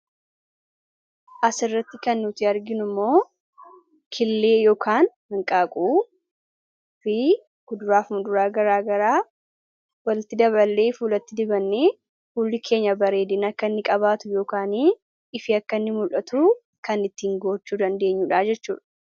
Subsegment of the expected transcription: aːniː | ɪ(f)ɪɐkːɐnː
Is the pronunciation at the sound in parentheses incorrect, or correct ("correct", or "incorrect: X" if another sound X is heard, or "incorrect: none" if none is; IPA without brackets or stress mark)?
correct